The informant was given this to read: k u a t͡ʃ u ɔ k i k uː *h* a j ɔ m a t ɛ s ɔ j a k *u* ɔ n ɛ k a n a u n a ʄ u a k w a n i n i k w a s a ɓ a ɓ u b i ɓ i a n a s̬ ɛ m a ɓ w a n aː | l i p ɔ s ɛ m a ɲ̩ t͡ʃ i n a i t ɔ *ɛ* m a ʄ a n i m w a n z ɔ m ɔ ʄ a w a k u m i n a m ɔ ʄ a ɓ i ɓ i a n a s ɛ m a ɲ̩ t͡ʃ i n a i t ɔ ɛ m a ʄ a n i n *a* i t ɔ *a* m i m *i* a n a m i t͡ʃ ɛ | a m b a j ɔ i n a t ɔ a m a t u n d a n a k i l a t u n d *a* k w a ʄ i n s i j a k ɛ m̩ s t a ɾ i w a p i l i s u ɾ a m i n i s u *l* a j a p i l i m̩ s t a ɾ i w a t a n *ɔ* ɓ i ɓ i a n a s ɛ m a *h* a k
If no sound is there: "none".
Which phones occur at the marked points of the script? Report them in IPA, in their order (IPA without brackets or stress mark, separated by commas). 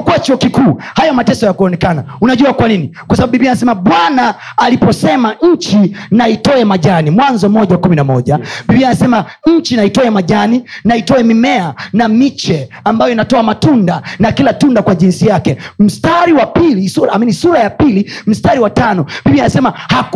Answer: h, u, ɛ, a, ɛ, ɛ, a, ɾ, ɔ, h